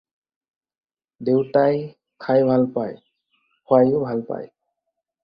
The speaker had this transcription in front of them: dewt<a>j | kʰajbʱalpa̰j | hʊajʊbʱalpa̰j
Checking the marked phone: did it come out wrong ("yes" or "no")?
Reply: no